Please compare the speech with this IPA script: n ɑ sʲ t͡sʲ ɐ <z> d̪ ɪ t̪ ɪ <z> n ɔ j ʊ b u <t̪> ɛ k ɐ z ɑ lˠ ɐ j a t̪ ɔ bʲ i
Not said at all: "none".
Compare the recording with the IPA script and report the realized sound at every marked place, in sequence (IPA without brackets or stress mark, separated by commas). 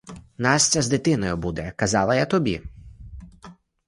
z, none, d̪